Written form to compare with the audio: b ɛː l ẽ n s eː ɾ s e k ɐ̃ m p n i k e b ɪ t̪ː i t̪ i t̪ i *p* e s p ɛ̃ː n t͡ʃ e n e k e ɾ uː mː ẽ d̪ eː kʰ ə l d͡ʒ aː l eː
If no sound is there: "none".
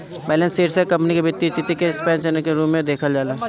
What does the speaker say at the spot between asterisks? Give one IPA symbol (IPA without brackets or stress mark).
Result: k